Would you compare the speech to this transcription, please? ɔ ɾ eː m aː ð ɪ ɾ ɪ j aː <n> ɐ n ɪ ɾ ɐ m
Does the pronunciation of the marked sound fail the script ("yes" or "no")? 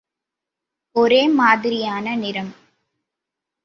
no